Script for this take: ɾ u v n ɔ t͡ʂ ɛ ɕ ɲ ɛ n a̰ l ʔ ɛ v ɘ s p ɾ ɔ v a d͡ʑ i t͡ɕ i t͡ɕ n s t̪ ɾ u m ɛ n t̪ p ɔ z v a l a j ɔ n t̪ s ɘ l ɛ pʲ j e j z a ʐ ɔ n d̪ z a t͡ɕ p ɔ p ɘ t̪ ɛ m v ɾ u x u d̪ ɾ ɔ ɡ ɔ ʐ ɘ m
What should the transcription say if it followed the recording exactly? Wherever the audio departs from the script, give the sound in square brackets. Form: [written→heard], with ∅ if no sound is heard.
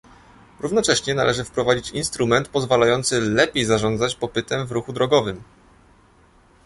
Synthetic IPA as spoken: ɾ u v n ɔ t͡ʂ ɛ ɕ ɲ ɛ n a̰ l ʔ ɛ [v→ʐ] ɘ [s→f] p ɾ ɔ v a d͡ʑ i t͡ɕ i [t͡ɕ→∅] n s t̪ ɾ u m ɛ n t̪ p ɔ z v a l a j ɔ n t̪ s ɘ l ɛ pʲ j e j z a ʐ ɔ n d̪ z a t͡ɕ p ɔ p ɘ t̪ ɛ m v ɾ u x u d̪ ɾ ɔ ɡ ɔ [ʐ→v] ɘ m